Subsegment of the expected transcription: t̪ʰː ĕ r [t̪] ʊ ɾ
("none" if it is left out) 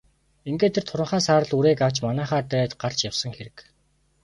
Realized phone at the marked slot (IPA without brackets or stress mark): t̪ʰ